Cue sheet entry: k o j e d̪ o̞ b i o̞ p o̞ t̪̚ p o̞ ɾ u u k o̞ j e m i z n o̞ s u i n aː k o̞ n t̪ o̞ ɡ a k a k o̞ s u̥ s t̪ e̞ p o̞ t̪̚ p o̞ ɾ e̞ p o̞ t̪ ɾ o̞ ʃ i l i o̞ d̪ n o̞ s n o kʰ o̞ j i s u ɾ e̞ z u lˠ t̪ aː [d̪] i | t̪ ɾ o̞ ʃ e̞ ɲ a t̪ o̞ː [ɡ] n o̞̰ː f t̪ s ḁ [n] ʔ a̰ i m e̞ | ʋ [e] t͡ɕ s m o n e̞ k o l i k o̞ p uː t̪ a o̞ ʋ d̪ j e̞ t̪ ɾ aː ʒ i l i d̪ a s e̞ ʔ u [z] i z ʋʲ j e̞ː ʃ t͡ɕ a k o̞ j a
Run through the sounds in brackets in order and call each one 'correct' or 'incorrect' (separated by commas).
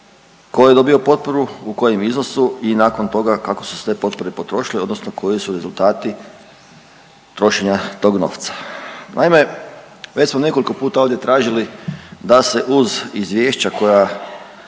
incorrect, correct, correct, correct, correct